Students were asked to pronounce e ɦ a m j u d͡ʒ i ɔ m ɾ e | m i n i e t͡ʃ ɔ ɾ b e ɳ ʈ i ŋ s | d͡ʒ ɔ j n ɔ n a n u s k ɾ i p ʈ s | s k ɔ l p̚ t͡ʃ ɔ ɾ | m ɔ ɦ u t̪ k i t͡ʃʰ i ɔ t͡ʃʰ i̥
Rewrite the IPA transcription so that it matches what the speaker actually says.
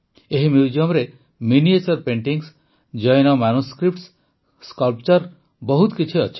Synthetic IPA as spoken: e ɦ i m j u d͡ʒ i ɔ m ɾ e | m i n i e t͡ʃ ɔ ɾ p e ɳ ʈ i ŋ s | d͡ʒ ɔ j n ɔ m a n u s k ɾ i p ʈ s | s k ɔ l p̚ t͡ʃ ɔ ɾ | b ɔ ɦ u t̪ k i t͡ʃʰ i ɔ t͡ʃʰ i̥

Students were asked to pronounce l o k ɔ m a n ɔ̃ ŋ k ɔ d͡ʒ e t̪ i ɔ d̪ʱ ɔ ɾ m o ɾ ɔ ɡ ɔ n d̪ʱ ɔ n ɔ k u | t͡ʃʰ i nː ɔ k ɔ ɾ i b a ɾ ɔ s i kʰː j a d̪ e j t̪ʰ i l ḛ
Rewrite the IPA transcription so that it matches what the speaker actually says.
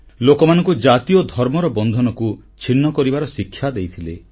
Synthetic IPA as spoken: l o k ɔ m a n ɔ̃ ŋ k u d͡ʒ a t̪ i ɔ d̪ʱ ɔ ɾ m ɔ ɾ ɔ b ɔ n d̪ʱ ɔ n ɔ k u | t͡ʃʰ i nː ɔ k ɔ ɾ i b a ɾ ɔ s i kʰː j a d̪ e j t̪ʰ i l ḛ

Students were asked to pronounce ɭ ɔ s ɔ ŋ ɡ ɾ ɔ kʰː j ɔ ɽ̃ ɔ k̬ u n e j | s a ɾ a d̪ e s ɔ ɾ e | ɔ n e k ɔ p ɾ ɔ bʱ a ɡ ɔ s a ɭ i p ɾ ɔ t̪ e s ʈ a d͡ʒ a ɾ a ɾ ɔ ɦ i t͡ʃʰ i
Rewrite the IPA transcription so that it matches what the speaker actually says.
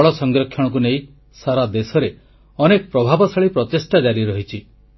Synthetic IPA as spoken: ɭ ɔ s ɔ ŋ ɡ ɾ ɔ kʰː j ɔ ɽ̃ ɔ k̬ u n e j | s a ɾ a d̪ e s ɔ ɾ e | ɔ n e k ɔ p ɾ ɔ bʱ a b ɔ s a ɭ i p ɾ ɔ t̪ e s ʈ a d͡ʒ a ɾ i ɾ ɔ ɦ i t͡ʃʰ i

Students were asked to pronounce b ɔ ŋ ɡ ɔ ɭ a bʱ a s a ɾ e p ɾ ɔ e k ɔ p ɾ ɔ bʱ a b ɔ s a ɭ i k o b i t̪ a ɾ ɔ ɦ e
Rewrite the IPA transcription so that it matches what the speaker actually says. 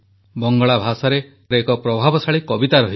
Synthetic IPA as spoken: b ɔ ŋ ɡ ɔ ɭ a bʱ a s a ɾ e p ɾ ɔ e k ɔ p ɾ ɔ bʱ a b ɔ s a ɭ i k ɔ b i t̪ a ɾ ɔ ɦ i

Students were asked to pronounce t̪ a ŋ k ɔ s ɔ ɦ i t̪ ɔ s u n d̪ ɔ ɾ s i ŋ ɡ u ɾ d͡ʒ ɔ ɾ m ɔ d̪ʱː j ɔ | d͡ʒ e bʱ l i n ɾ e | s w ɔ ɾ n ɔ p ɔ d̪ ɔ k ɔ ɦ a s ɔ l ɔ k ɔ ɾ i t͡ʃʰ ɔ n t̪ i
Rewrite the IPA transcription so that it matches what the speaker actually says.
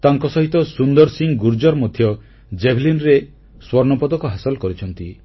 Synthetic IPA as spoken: t̪ a ŋ k ɔ s ɔ ɦ i t̪ ɔ s u n d̪ ɔ ɾ s i ŋ ɡ u ɾ d͡ʒ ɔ ɾ m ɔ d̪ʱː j ɔ | d͡ʒ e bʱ l i n ɾ e | s w ɔ ɾ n ɔ p ɔ d̪ ɔ k ɔ ɦ a s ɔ l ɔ k ɔ ɾ i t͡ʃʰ ɔ n t̪ i

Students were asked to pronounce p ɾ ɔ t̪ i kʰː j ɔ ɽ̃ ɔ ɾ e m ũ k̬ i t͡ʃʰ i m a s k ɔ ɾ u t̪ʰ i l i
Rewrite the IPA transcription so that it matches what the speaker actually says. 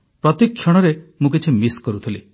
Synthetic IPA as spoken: p ɾ ɔ t̪ i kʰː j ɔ ɽ̃ ɔ ɾ e m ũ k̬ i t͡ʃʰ i m i s k ɔ ɾ u t̪ʰ i l i

